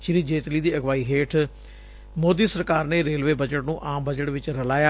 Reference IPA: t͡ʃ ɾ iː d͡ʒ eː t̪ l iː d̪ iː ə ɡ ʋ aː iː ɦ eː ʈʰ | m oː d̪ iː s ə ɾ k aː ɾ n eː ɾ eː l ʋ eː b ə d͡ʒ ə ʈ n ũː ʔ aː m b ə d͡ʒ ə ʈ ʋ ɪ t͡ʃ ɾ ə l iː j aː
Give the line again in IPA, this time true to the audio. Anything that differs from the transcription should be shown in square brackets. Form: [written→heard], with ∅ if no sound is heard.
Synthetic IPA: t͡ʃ ɾ iː d͡ʒ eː t̪ l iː d̪ iː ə ɡ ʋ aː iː ɦ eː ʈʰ | m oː d̪ iː s ə ɾ k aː ɾ n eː ɾ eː l ʋ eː b ə d͡ʒ ə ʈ n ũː ʔ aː m b ə d͡ʒ ə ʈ ʋ ɪ t͡ʃ ɾ ə l [iː→aː] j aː

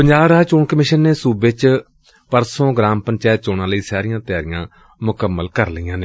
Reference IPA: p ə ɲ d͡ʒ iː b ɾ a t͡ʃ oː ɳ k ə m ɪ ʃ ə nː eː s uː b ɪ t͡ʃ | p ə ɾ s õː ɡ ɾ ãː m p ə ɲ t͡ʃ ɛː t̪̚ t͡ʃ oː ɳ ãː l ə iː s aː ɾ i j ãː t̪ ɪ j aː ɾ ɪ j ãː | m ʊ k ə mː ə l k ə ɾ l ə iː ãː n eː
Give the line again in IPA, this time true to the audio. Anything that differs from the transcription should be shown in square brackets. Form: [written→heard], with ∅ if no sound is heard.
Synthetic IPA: p ə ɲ d͡ʒ [iː→aː] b ɾ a t͡ʃ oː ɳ k ə m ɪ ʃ ə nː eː s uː b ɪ t͡ʃ | p ə ɾ s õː ɡ ɾ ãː m p ə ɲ t͡ʃ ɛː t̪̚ t͡ʃ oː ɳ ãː l ə iː s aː ɾ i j ãː t̪ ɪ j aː ɾ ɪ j ãː | m ʊ k ə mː ə l k ə ɾ l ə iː ãː n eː

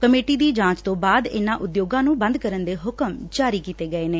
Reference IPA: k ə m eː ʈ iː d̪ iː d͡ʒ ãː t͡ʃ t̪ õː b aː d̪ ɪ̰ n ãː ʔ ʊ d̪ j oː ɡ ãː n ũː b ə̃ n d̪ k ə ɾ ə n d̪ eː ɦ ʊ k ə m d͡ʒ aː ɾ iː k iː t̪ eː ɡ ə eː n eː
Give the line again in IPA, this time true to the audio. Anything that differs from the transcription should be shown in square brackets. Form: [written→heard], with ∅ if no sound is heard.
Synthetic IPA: k ə m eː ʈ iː d̪ iː d͡ʒ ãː t͡ʃ t̪ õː b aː d̪ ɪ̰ n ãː ʔ ʊ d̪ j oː ɡ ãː n ũː b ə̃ n d̪ k ə ɾ ə n d̪ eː ɦ ʊ k ə m d͡ʒ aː ɾ iː k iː t̪ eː ɡ ə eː n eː

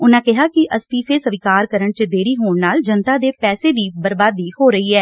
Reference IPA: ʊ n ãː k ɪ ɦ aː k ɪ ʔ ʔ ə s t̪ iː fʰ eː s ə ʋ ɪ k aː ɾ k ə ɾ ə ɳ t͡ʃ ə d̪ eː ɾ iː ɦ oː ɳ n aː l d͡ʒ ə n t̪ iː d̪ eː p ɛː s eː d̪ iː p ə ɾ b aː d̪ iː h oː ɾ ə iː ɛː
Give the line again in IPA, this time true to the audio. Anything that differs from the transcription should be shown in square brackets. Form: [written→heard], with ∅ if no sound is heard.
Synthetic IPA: ʊ n ãː k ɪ ɦ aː k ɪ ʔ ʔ ə s t̪ iː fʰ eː s ə ʋ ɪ k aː ɾ k ə ɾ ə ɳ t͡ʃ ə d̪ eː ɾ iː ɦ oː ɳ n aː l d͡ʒ ə n t̪ [iː→aː] d̪ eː p ɛː s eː d̪ iː [p→b] ə ɾ b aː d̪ iː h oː ɾ ə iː ɛː

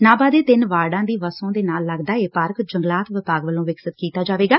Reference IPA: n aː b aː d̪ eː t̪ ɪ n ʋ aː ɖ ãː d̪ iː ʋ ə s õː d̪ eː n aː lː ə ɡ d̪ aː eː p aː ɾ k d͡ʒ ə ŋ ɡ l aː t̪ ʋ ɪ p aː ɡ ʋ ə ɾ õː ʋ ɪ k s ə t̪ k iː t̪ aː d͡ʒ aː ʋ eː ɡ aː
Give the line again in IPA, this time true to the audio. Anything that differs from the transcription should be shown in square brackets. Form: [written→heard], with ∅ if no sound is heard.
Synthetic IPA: n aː b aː d̪ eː t̪ ɪ n ʋ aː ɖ ãː d̪ iː ʋ ə s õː d̪ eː n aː lː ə ɡ d̪ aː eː p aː ɾ k d͡ʒ ə ŋ ɡ l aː t̪ ʋ ɪ p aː ɡ ʋ ə [ɾ→l] õː ʋ ɪ k s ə t̪ k iː t̪ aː d͡ʒ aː ʋ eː ɡ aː

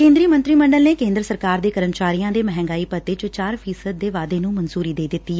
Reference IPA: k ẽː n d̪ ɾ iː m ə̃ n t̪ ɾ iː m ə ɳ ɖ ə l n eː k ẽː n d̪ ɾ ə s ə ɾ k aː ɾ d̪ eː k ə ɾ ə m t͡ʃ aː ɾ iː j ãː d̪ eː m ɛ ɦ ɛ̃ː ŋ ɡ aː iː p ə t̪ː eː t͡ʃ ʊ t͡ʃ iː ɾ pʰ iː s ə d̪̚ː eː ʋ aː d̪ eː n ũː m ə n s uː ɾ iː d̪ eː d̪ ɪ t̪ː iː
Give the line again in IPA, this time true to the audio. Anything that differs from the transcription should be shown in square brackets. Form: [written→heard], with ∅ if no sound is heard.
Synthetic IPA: k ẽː n d̪ ɾ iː m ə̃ n t̪ ɾ iː m ə ɳ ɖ ə l n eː k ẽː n d̪ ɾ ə s ə ɾ k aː ɾ d̪ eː k ə ɾ ə m t͡ʃ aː ɾ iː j ãː d̪ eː m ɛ ɦ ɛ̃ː ŋ ɡ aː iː p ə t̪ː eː t͡ʃ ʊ t͡ʃ [iː→aː] ɾ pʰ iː s ə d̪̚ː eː ʋ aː d̪ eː n ũː m ə n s uː ɾ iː d̪ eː d̪ ɪ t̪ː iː

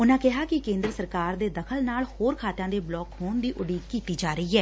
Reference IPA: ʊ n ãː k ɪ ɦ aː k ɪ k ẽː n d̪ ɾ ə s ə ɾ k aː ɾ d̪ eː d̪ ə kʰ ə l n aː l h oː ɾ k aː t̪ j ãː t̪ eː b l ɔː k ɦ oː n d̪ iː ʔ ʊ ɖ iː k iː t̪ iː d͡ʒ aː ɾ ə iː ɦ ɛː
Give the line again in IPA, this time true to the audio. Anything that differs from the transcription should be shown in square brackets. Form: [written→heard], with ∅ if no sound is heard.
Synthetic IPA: ʊ n ãː k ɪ ɦ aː k ɪ k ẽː n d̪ ɾ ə s ə ɾ k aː ɾ d̪ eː d̪ ə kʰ ə l n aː l h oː ɾ [k→kʰ] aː t̪ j ãː [t̪→d̪] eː b l ɔː k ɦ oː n d̪ iː ʔ ʊ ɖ iː k iː t̪ iː d͡ʒ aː ɾ ə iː ɦ ɛː

